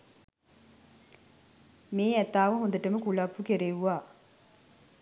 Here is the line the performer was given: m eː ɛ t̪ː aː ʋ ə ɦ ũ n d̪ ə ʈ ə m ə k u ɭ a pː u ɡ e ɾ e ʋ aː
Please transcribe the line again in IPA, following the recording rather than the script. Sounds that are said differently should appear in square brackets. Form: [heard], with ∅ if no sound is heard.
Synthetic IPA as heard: m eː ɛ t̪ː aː ʋ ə ɦ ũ n d̪ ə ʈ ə m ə k u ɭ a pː u [k] e ɾ e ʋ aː